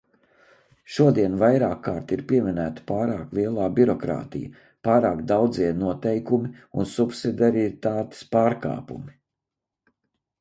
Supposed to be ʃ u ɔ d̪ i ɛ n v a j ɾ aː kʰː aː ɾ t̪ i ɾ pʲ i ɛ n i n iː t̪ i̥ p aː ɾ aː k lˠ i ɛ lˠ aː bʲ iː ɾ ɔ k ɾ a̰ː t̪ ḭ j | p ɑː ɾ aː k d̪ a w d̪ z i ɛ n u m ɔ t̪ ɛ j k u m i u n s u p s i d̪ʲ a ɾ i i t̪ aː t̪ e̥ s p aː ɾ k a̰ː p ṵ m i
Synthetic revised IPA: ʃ u ɔ d̪ i ɛ n v a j ɾ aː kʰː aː ɾ t̪ i ɾ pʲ i ɛ m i n æː t̪ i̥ p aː ɾ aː k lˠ i ɛ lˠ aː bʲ i ɾ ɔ k ɾ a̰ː t̪ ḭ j | p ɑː ɾ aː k d̪ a w d̪ z i ɛ n u ɔ t̪ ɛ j k u m i u n s u p s i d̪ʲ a ɾ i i t̪ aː t̪ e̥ s p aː ɾ k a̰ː p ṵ m i